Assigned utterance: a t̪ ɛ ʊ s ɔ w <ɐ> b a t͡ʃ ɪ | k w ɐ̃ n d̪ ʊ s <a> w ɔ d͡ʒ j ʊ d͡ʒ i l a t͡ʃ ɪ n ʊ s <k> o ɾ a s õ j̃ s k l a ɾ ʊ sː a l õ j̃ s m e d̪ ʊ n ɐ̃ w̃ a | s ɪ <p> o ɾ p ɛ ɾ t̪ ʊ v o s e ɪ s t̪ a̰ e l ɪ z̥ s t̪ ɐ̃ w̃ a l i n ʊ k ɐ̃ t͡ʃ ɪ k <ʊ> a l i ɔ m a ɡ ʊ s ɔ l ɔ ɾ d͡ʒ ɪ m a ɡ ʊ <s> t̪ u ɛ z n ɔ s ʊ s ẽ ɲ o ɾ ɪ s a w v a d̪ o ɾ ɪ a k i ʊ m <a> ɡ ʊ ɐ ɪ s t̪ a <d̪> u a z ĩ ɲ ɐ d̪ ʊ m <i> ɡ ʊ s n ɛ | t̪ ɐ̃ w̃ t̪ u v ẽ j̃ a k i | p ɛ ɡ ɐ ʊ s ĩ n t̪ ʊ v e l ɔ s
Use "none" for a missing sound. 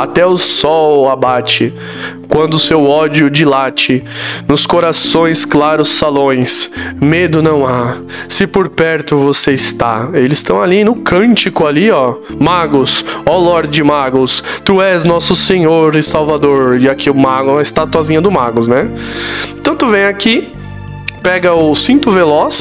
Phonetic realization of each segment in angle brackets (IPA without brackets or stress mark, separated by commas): a, e, k, p, ʊ, s, a, t̪, a